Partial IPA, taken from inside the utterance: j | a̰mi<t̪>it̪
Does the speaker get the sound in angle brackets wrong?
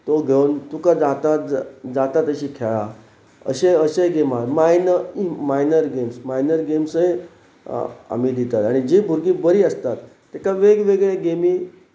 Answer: yes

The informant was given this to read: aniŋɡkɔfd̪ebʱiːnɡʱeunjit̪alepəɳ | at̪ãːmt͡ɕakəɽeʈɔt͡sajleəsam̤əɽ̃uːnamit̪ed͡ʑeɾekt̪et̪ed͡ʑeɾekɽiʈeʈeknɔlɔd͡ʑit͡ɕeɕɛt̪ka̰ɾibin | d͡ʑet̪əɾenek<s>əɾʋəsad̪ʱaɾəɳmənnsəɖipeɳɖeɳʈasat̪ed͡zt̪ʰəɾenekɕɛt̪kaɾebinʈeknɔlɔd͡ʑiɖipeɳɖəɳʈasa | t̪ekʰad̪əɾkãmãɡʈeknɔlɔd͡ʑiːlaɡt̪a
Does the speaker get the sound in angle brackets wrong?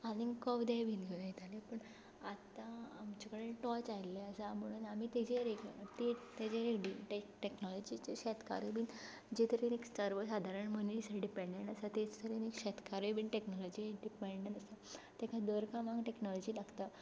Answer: no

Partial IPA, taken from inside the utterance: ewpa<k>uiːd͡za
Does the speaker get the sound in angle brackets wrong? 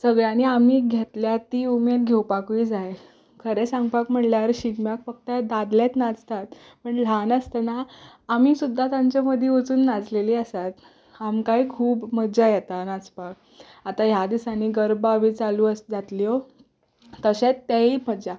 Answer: no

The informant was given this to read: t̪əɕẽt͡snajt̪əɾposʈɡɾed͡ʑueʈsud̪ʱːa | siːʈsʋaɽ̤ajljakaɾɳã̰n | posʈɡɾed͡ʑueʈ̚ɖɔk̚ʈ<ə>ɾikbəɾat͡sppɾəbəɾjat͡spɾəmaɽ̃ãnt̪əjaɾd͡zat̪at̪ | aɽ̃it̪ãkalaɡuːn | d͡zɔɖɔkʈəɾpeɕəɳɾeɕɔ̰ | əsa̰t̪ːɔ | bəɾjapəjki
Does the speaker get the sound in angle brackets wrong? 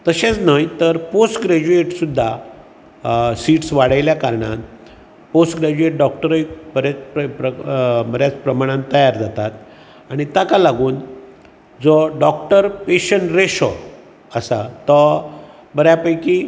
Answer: no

